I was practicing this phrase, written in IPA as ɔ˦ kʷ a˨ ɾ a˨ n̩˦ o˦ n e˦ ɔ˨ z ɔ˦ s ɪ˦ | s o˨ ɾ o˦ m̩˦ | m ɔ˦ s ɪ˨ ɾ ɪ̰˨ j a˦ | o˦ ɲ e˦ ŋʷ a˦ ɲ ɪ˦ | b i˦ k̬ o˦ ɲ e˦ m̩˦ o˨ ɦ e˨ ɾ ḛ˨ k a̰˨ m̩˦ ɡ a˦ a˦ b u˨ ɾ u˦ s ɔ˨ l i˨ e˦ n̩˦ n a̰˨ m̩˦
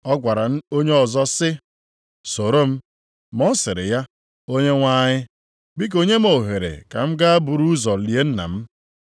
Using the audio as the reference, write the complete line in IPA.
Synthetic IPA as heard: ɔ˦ ɡʷ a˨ ɾ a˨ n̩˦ o˦ ɲ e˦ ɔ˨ z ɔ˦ s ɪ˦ | s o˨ ɾ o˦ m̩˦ | m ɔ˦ s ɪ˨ ɾ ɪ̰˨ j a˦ | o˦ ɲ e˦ ŋʷ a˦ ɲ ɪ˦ | b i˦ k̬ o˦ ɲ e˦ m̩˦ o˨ ɦ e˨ ɾ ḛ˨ k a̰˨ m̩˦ ɡ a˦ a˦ b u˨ ɾ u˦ z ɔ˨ l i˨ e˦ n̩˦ n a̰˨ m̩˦